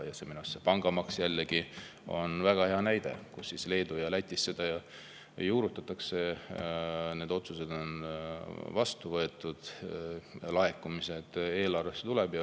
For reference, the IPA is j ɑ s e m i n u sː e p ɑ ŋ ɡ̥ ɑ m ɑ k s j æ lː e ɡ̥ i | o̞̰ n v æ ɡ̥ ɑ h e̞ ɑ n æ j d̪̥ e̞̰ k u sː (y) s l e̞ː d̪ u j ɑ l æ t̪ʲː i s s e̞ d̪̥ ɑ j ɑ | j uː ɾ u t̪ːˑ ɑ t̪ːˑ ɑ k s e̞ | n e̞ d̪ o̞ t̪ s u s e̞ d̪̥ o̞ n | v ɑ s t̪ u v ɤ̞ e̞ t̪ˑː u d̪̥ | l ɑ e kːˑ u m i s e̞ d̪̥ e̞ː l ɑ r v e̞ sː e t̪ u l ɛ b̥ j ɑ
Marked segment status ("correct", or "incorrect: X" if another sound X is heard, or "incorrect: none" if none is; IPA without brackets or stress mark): incorrect: i